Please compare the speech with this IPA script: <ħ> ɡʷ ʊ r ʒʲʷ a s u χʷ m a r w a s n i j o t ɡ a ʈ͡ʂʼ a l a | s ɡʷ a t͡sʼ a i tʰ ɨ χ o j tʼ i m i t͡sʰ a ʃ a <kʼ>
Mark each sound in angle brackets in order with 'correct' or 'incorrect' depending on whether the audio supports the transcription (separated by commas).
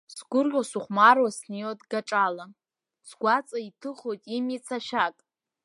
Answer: incorrect, correct